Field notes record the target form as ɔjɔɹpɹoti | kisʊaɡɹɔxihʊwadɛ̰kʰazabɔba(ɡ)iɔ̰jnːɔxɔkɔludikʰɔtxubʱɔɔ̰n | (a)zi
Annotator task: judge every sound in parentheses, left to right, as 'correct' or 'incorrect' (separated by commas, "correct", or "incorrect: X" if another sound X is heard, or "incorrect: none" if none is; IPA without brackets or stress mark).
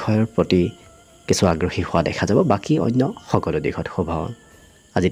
incorrect: k, correct